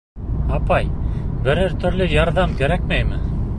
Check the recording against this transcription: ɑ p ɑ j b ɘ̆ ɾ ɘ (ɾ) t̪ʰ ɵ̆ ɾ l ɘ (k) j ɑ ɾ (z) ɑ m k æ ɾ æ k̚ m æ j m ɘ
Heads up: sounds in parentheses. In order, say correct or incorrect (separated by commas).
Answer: correct, incorrect, incorrect